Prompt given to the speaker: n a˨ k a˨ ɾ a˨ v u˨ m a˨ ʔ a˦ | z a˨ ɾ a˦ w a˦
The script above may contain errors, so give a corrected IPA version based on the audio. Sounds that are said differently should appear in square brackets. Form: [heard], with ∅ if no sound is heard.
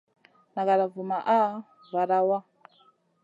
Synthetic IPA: n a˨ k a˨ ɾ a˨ v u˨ m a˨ ʔ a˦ | [v] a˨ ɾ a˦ w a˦